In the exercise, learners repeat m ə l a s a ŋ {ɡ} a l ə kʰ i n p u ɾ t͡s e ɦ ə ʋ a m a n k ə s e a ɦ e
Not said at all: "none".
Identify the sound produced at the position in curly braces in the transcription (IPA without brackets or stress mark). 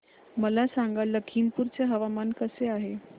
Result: ɡ